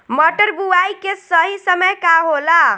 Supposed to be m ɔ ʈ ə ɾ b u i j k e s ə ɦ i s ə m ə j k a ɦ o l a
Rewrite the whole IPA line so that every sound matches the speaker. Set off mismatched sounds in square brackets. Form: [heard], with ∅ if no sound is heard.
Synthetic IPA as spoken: m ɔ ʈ ə ɾ b u [a] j k e s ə ɦ i s ə m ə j k a ɦ o l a